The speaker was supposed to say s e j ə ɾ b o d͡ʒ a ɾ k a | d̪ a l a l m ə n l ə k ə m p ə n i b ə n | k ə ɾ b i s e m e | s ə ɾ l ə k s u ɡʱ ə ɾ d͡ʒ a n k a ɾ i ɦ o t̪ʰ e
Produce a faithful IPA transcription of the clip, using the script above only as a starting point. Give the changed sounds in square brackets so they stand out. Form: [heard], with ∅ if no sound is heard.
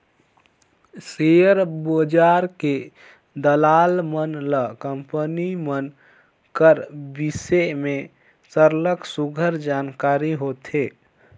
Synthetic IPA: s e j ə ɾ b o d͡ʒ a ɾ k [e] | d̪ [ə] l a l m ə n l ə k ə m p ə n i [m] ə n | k ə ɾ b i s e m e | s ə ɾ l ə k s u ɡʱ ə ɾ d͡ʒ a n k a ɾ i ɦ o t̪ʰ e